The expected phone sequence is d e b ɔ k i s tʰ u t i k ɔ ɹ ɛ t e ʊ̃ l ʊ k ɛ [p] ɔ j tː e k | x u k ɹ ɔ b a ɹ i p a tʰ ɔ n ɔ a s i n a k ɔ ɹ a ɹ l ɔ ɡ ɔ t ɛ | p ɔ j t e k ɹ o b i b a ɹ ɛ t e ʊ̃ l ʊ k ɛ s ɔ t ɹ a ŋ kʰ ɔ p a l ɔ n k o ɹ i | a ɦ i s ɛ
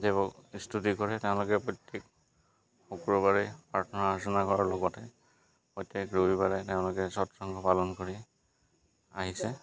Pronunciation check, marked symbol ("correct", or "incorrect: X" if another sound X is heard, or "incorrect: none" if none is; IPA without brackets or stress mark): correct